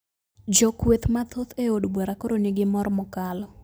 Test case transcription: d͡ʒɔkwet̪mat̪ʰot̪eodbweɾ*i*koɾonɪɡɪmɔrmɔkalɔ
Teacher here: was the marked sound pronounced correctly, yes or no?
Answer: no